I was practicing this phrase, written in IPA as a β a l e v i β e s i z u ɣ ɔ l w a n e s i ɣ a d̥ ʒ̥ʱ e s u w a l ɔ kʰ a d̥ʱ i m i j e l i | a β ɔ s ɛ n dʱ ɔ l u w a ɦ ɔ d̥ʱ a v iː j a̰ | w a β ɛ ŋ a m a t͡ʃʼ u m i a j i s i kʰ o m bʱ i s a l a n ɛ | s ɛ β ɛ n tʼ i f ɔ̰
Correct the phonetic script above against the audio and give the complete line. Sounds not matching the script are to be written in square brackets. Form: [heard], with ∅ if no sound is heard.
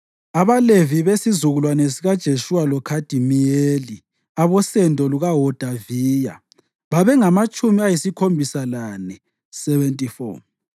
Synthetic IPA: a β a l e v i β e s i z u ɣ [u] l w a n e s i ɣ a d̥ ʒ̥ʱ e [ʃ] u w a l ɔ kʰ a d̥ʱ i m i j e l i | a β ɔ s ɛ n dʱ ɔ l u [ɣ] a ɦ ɔ d̥ʱ a v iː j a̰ | [β] a β ɛ ŋ a m a t͡ʃʼ u m i a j i s i kʰ o m bʱ i s a l a n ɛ | s ɛ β ɛ n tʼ i f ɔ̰